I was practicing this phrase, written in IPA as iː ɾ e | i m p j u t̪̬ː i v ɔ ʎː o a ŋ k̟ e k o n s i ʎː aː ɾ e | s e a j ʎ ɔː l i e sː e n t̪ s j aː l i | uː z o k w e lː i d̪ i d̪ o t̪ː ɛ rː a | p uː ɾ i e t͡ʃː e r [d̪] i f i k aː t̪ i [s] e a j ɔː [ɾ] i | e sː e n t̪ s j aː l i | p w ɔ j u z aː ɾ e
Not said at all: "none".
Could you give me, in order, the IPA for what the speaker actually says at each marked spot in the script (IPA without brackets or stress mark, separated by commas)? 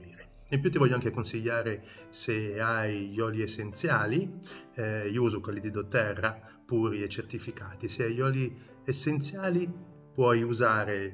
t̪, s, l